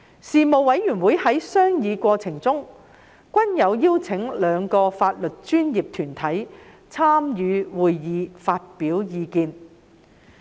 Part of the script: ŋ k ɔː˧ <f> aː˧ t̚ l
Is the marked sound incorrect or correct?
correct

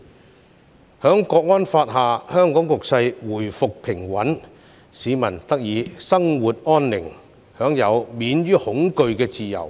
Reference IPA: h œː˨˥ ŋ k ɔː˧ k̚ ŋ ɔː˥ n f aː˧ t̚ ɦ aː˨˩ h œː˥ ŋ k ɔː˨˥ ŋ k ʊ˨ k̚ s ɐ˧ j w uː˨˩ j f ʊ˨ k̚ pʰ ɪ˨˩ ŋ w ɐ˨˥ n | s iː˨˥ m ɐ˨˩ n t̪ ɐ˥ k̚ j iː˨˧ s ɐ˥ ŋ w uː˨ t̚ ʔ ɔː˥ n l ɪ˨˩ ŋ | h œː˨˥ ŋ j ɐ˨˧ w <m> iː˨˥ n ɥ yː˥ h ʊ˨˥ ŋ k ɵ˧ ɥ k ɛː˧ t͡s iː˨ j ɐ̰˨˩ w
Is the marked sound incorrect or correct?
correct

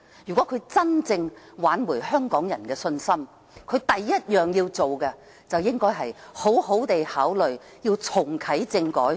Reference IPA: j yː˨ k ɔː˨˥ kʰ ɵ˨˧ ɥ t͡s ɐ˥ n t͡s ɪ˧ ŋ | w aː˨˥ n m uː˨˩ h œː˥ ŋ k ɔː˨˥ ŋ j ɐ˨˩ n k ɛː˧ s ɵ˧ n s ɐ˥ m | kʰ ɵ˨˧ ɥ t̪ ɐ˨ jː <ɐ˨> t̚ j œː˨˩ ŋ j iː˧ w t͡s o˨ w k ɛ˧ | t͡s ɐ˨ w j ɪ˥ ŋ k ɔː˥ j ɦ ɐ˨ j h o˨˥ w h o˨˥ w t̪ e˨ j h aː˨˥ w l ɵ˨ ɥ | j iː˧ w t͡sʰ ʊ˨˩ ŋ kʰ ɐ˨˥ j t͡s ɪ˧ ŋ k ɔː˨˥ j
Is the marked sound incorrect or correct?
incorrect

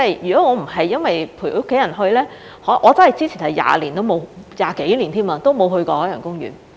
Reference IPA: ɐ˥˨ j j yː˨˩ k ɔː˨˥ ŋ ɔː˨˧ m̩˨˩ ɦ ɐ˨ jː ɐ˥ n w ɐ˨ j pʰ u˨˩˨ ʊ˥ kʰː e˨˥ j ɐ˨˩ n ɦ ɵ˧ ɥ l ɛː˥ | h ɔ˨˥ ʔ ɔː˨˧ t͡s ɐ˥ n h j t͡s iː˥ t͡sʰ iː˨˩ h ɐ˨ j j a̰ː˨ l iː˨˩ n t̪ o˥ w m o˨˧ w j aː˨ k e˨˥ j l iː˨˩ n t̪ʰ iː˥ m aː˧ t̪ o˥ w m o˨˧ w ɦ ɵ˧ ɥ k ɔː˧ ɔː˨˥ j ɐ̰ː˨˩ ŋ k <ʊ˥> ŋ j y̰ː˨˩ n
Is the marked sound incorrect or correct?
correct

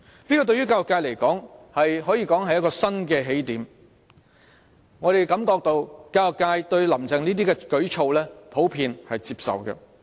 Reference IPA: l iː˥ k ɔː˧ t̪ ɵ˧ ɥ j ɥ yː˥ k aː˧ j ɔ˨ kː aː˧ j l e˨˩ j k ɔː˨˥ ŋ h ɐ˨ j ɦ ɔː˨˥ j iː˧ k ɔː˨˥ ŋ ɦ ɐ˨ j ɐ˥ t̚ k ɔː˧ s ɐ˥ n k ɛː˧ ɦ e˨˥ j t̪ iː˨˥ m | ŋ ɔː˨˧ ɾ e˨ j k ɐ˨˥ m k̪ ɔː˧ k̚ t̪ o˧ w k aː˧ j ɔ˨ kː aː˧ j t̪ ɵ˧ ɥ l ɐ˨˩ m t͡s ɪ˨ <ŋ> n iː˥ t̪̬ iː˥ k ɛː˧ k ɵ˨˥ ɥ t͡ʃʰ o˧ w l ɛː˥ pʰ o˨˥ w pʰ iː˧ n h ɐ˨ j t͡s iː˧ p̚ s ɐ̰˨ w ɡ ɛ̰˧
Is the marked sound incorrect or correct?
correct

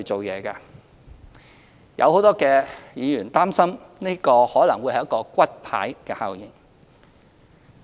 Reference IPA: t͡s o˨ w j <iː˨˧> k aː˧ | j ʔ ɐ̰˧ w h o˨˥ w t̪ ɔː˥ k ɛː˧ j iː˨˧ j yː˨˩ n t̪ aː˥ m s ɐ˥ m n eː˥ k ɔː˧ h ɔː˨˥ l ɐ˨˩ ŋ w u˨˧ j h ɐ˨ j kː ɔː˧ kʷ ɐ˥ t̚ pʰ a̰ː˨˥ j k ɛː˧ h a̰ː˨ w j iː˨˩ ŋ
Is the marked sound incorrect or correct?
incorrect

